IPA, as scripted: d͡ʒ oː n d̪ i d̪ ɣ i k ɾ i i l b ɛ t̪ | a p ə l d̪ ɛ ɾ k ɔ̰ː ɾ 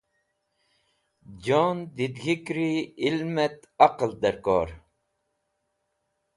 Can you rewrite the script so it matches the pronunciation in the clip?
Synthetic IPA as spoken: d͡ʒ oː n d̪ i d̪ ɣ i k ɾ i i l m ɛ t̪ | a q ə l d̪ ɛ ɾ k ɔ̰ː ɾ